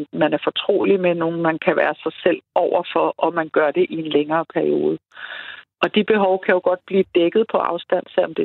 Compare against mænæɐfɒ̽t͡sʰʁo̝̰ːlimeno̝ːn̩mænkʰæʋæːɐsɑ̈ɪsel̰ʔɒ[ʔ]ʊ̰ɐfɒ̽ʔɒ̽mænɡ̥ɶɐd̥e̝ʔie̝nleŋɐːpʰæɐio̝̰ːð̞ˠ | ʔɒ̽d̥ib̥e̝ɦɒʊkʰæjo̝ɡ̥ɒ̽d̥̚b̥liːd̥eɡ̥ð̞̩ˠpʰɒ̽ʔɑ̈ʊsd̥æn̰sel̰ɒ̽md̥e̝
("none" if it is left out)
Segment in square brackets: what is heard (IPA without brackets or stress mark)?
none